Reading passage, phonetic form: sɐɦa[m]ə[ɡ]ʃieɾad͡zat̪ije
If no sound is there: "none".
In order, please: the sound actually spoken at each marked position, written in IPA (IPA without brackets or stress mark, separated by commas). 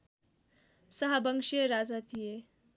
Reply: b, ŋ